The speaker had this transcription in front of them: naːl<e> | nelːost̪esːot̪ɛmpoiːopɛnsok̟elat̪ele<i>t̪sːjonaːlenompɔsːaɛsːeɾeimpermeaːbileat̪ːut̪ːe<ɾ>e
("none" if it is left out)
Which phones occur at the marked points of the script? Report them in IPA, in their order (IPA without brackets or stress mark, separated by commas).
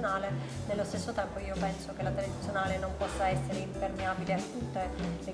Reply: e, i, l